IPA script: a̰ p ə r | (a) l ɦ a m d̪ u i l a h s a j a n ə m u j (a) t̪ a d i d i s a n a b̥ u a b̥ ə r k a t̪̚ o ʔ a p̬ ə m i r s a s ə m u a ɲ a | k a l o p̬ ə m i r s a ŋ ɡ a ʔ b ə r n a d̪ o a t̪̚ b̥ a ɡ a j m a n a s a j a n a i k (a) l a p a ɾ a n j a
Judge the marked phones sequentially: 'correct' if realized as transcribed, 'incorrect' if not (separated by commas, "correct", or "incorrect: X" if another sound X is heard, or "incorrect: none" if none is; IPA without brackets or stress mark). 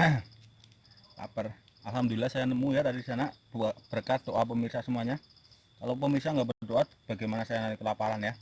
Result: correct, correct, incorrect: ə